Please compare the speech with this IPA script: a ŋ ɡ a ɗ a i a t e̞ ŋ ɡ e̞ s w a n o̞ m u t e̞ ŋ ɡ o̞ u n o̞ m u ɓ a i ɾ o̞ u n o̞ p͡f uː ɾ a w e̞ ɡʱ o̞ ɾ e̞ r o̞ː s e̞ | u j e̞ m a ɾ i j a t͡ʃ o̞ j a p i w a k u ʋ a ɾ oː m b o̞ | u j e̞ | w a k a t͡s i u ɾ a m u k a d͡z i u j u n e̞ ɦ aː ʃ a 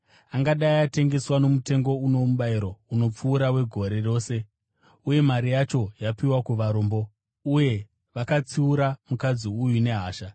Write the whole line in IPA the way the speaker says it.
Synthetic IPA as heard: a ŋ ɡ a ɗ a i a t e̞ ŋ ɡ e̞ s w a n o̞ m u t e̞ ŋ ɡ o̞ u n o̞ m u ɓ a i ɾ o̞ u n o̞ p͡f uː ɾ a w e̞ ɡʱ o̞ ɾ e̞ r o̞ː s e̞ | u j e̞ m a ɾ i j a t͡ʃ o̞ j a p i w a k u ʋ a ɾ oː m b o̞ | u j e̞ | ʋ a k a t͡s i u ɾ a m u k a d͡z i u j u n e̞ ɦ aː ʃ a